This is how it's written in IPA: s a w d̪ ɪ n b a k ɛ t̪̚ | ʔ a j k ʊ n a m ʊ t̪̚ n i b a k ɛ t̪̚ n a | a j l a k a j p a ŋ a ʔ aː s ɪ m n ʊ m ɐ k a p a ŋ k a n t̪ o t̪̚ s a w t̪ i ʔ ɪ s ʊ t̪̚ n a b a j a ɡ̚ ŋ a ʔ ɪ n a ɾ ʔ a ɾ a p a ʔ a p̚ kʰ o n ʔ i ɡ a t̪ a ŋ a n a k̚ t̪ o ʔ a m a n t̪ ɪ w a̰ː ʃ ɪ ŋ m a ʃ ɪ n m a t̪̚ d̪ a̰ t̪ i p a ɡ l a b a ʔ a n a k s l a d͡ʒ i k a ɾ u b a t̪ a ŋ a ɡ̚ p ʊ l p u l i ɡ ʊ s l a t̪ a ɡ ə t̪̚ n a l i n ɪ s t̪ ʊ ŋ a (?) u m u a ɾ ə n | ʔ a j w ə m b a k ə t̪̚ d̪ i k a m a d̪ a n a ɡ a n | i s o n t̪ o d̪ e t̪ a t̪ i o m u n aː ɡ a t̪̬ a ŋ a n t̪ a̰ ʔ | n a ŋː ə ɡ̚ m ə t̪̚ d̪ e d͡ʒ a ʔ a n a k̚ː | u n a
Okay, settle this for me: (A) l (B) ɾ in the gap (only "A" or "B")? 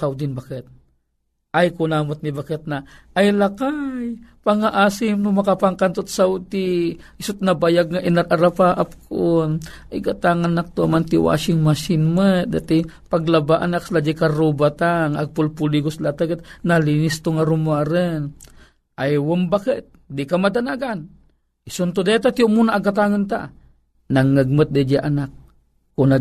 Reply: B